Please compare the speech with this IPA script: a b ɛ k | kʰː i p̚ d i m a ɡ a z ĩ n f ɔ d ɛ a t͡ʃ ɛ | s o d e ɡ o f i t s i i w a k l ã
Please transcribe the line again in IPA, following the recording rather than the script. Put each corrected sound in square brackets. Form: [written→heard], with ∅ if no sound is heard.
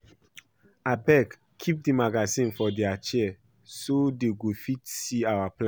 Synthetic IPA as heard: a b ɛ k | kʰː i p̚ d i m a ɡ a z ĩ n f ɔ d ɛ a t͡ʃ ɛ | s o d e ɡ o f i t s i [i→a] w a [k→p] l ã